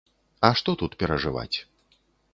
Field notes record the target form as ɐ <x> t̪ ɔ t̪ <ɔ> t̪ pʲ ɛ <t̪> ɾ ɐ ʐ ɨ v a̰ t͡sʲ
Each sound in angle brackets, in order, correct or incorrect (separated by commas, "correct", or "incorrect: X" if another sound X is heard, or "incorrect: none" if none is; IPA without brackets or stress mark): incorrect: ʂ, incorrect: u, incorrect: none